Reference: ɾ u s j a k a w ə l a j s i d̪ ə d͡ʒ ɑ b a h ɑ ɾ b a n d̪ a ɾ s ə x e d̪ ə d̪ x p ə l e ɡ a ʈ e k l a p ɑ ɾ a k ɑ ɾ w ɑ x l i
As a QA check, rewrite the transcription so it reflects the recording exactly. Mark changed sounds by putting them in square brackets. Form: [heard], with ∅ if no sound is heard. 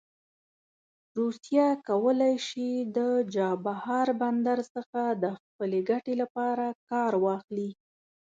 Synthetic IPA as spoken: ɾ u s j a k a w ə l a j [ʃ] i d̪ ə d͡ʒ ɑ b a h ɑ ɾ b a n d̪ a ɾ s ə x [a] d̪ ə [∅] x p ə l e ɡ a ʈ e [∅] l a p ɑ ɾ a k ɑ ɾ w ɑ x l i